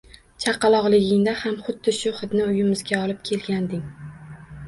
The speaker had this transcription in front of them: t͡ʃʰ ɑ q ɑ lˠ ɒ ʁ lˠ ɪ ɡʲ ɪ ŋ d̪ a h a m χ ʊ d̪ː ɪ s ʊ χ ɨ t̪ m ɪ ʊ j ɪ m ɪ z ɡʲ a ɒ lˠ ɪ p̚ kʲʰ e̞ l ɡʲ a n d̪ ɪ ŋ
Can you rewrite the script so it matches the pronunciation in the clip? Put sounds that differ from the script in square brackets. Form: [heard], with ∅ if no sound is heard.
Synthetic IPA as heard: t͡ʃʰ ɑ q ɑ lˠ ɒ ʁ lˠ ɪ ɡʲ ɪ ŋ d̪ a h a m χ ʊ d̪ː ɪ [ʃ] ʊ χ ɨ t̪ [n] ɪ ʊ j ɪ m ɪ z ɡʲ a ɒ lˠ ɪ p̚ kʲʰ e̞ l ɡʲ a n d̪ ɪ ŋ